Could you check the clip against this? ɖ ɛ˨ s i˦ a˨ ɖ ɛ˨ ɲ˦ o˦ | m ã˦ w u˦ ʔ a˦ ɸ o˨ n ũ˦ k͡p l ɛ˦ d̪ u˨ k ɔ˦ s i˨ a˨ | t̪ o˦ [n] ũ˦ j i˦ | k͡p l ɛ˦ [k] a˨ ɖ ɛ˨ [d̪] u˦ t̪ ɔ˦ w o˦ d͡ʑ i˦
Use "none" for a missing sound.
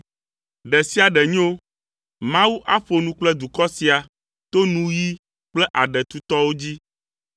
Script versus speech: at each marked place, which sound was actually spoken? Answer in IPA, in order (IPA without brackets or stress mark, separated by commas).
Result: n, ʔ, t̪